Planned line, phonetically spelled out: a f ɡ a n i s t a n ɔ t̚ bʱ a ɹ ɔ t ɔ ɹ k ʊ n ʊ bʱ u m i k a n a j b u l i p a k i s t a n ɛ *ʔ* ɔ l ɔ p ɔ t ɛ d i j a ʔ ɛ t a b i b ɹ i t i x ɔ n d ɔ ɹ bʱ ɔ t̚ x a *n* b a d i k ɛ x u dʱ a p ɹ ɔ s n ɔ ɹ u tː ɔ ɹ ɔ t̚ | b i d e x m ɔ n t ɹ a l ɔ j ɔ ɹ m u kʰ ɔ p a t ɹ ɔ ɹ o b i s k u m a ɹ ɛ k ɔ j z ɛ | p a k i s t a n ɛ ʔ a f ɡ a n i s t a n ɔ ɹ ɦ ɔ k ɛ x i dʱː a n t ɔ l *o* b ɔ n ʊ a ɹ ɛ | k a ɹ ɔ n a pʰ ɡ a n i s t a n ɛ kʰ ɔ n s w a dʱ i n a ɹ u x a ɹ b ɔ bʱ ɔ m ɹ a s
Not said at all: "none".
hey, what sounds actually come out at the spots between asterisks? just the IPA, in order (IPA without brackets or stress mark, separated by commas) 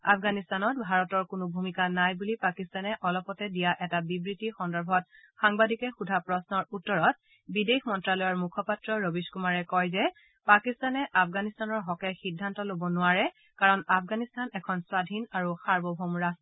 ʔ, ŋ, o